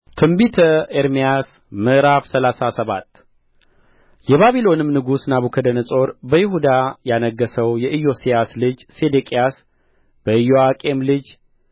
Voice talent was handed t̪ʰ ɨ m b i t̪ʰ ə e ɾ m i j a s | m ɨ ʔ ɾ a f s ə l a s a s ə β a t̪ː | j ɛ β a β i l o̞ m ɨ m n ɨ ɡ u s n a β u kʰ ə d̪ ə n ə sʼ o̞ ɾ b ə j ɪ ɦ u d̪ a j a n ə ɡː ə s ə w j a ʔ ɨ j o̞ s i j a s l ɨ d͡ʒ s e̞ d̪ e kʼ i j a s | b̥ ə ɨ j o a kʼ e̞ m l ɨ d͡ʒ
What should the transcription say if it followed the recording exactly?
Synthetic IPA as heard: t̪ʰ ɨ m b i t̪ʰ ə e ɾ m i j a s | m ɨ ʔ ɾ a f s ə l a s a s ə β a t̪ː | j ɛ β a β i l o̞ n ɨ m n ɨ ɡ u s n a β u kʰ ə d̪ ə n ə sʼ o̞ ɾ b ə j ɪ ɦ u d̪ a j a n ə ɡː ə s ə w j ɛ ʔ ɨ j o̞ s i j a s l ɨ d͡ʒ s e̞ d̪ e kʼ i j a s | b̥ ə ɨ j o a kʼ e̞ m l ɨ d͡ʒ